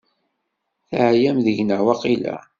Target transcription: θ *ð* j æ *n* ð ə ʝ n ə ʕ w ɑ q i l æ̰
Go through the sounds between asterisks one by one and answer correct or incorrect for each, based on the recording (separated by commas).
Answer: incorrect, incorrect